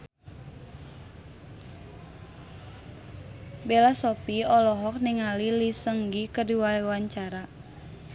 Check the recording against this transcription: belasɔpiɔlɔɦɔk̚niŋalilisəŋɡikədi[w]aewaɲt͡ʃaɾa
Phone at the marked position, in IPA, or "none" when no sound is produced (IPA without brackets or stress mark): w